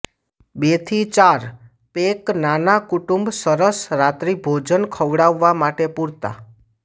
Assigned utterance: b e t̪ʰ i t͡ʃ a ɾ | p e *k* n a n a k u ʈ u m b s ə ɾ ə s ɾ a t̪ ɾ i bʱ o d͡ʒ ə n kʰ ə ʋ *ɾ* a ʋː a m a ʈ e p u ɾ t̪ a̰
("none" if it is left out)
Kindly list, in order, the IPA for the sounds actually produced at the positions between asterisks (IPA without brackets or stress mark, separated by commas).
k, ɽ